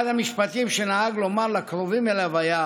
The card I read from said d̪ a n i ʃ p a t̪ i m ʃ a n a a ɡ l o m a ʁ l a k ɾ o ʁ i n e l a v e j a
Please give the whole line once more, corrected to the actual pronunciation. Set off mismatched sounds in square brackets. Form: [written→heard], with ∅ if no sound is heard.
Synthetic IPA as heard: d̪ a [n→m] i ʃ p a t̪ i m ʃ [a→e] n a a ɡ l o m a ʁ l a k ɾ o [ʁ→v] i [n→m] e l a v [e→a] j a